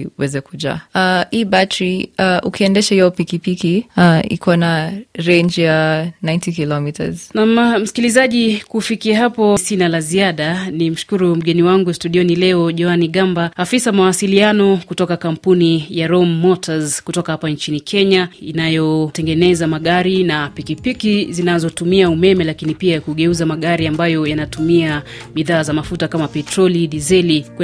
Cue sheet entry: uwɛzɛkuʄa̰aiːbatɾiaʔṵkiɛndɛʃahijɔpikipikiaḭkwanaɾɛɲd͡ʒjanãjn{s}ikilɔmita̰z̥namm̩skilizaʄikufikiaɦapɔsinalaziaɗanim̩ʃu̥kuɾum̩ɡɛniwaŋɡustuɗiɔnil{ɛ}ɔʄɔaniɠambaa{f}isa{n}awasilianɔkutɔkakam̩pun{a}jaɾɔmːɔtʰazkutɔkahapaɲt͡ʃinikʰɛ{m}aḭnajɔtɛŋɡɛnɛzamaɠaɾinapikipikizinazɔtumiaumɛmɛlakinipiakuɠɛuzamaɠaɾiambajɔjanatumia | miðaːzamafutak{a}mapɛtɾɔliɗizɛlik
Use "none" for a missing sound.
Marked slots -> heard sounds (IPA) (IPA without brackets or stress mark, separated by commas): t, ɛ, f, m, i, ɲ, a